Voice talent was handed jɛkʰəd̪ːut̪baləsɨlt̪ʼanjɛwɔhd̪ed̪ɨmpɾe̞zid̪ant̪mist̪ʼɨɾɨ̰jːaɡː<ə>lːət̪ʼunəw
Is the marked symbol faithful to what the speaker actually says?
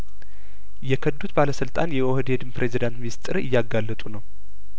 no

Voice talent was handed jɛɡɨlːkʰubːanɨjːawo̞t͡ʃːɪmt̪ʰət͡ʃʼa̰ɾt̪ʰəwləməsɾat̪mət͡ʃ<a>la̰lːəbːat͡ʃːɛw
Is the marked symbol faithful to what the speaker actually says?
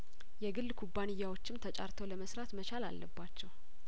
yes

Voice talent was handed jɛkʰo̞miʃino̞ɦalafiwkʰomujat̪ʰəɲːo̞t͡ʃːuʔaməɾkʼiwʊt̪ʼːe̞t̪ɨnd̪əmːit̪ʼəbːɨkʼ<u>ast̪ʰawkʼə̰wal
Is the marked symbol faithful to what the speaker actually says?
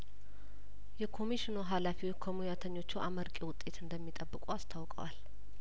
yes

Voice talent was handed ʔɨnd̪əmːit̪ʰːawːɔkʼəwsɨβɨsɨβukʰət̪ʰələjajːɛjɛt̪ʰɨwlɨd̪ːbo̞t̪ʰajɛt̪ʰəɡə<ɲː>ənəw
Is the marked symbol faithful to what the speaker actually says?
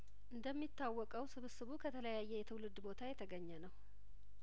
yes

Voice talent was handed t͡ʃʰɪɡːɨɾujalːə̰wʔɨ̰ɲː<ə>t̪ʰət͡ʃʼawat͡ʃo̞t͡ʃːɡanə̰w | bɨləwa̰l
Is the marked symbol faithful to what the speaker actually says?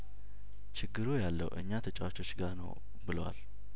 no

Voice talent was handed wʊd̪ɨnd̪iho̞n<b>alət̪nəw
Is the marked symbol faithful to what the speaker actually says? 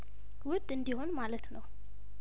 no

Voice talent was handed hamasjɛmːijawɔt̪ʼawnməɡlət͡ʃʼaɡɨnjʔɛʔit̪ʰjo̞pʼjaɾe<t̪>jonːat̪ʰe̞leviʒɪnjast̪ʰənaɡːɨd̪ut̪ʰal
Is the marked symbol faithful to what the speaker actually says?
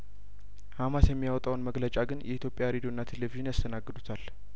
no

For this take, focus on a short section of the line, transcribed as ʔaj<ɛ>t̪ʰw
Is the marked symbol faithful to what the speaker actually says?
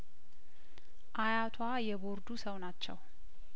no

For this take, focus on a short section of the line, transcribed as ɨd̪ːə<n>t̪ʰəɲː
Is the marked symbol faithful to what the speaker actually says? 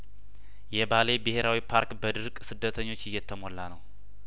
no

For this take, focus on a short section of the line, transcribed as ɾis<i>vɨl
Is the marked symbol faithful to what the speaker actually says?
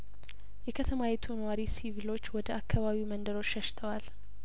yes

